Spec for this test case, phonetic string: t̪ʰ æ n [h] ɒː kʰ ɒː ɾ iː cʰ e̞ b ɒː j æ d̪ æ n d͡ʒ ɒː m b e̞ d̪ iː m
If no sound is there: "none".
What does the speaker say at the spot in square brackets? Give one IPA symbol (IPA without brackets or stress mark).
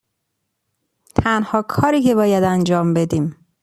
h